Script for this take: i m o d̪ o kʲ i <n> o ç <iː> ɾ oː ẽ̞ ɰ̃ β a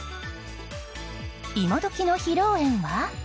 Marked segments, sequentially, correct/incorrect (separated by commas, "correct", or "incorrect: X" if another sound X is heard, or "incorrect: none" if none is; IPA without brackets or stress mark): correct, incorrect: i